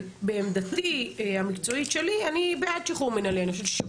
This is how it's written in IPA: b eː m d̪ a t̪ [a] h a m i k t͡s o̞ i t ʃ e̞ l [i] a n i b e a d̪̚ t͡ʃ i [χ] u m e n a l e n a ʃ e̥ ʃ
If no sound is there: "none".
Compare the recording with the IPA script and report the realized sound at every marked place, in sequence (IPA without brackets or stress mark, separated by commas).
i, i, χ